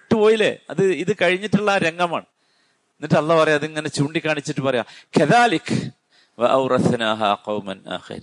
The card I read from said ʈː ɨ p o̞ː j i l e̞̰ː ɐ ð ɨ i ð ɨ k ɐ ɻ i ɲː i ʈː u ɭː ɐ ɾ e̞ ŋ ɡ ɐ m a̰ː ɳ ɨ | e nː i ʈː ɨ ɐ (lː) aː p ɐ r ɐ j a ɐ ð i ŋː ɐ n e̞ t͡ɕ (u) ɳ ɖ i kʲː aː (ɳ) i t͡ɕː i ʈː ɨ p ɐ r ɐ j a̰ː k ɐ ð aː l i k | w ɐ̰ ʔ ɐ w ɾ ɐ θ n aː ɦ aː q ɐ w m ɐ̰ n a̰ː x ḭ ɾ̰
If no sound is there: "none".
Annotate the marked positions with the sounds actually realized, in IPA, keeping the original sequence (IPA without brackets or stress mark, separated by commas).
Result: lː, uː, ɳ